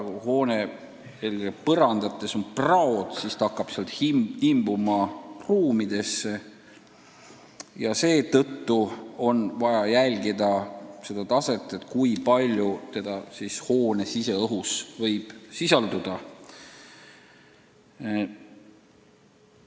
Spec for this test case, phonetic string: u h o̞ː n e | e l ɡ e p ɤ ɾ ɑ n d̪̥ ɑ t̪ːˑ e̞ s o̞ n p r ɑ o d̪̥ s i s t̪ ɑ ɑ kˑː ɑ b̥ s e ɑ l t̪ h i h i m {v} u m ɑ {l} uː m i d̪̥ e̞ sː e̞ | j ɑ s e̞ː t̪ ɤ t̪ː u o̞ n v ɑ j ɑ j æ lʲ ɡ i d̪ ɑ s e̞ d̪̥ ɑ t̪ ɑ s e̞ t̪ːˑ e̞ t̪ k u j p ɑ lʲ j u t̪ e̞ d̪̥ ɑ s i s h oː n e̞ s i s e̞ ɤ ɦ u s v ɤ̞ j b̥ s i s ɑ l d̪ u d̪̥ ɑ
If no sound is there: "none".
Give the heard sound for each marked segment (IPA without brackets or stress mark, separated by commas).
b, r